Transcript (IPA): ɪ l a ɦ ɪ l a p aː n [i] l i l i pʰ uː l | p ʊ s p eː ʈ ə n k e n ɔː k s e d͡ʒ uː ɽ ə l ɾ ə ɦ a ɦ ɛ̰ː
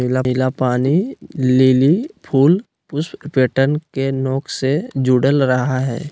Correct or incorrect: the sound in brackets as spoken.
correct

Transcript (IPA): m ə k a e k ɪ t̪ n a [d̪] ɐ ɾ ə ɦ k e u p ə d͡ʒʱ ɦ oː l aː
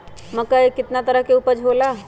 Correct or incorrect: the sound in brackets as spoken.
incorrect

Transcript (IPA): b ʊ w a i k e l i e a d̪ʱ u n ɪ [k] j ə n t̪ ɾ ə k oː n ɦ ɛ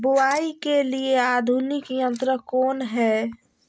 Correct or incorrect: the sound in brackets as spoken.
correct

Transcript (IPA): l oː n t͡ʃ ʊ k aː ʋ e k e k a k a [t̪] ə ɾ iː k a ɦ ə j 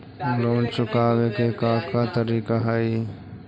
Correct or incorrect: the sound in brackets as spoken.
correct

